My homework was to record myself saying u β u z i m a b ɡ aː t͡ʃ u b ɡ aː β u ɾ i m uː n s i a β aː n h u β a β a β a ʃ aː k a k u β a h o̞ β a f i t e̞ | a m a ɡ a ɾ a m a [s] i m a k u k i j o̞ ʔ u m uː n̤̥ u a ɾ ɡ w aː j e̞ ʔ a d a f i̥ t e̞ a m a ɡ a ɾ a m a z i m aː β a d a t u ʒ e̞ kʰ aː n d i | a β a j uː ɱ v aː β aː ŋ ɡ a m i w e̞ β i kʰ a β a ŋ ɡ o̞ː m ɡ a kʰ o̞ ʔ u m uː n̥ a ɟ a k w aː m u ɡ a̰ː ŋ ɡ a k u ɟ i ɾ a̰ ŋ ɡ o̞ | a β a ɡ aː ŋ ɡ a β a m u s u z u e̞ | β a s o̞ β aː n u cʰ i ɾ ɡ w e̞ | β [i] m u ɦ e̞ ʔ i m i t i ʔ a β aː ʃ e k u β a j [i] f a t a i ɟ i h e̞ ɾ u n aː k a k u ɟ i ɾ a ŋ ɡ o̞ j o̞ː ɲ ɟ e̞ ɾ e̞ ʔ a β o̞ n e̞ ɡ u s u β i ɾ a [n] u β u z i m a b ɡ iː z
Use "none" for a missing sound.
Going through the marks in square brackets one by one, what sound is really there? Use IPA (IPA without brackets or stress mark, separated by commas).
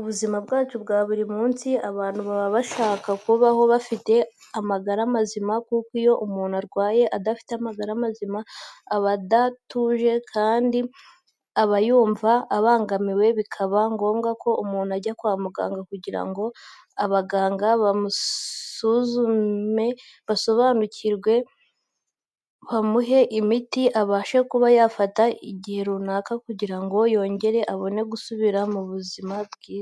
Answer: z, a, a, m